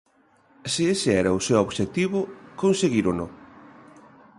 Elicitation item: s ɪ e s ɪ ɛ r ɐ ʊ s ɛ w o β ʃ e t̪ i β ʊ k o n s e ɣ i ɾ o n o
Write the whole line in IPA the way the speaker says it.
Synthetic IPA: s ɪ e s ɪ ɛ ɾ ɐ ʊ s e w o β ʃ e t̪ i β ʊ k o n s e ɣ i ɾ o n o